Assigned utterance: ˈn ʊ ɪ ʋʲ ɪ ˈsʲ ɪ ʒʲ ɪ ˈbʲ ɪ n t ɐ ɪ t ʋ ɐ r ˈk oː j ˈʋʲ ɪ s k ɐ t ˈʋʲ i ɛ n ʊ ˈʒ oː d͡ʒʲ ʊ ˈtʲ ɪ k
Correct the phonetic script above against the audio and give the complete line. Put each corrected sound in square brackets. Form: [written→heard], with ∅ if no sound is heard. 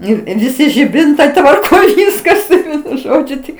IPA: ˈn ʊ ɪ ʋʲ ɪ ˈsʲ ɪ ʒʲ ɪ ˈbʲ ɪ n t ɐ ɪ t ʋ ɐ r ˈk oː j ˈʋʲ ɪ s k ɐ [t→s] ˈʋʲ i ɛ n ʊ ˈʒ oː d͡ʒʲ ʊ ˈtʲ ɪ k